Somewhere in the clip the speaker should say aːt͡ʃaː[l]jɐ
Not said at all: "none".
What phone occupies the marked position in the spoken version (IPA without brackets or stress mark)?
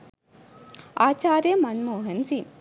ɾ